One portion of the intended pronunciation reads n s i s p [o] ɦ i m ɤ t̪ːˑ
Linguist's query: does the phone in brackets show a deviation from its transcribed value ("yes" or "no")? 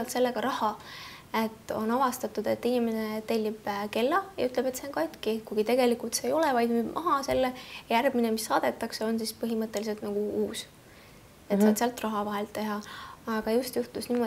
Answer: yes